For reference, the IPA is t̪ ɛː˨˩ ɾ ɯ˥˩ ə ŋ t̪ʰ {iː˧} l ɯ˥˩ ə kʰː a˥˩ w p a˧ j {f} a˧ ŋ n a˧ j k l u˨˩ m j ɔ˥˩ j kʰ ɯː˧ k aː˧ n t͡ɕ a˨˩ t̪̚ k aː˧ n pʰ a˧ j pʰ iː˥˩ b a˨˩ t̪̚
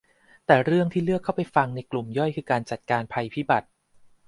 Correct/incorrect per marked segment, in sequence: incorrect: iː˥˩, correct

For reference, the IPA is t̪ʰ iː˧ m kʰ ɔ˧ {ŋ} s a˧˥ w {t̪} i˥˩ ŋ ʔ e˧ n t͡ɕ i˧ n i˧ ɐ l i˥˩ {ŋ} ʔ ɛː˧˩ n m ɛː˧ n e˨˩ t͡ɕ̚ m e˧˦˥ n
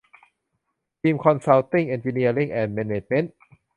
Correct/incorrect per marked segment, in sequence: incorrect: n, correct, correct

